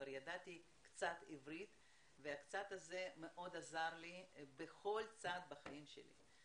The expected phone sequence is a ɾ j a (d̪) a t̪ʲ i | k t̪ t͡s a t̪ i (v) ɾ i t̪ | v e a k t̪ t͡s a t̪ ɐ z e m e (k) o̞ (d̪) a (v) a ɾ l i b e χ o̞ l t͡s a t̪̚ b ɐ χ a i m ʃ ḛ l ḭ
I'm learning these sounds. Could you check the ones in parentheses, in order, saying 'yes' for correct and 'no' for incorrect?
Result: yes, yes, no, yes, no

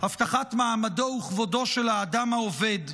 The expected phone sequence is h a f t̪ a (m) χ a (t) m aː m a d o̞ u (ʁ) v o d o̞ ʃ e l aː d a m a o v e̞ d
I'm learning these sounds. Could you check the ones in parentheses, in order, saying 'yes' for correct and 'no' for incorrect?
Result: no, yes, no

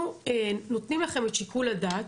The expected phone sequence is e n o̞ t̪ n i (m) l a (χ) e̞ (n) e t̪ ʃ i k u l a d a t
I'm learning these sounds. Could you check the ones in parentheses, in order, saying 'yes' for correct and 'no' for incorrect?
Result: yes, yes, no

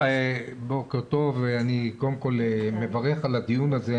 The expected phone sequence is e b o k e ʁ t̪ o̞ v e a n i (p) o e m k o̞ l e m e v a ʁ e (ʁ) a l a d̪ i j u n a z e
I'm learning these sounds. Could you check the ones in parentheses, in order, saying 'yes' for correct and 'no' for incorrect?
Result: no, no

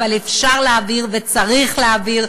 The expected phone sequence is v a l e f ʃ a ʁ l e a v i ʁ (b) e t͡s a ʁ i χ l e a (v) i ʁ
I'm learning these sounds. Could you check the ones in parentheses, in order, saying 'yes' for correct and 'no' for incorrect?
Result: no, yes

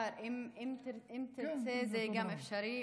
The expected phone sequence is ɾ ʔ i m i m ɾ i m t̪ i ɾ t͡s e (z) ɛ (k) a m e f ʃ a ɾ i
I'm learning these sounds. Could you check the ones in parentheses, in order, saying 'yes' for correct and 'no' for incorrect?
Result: yes, no

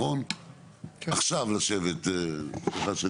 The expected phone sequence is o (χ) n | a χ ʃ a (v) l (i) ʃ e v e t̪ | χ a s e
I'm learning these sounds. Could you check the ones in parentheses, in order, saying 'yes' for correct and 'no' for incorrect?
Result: no, yes, no

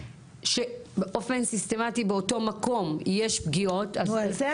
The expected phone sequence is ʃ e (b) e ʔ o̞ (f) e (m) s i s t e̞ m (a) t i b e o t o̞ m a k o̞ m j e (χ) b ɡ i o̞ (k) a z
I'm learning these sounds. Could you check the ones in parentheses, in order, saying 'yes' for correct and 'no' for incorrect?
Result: yes, yes, no, yes, no, no

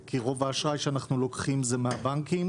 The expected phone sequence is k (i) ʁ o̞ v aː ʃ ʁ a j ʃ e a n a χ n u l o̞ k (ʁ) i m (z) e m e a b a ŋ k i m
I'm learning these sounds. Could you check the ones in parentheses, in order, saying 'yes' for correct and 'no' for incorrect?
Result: yes, no, yes

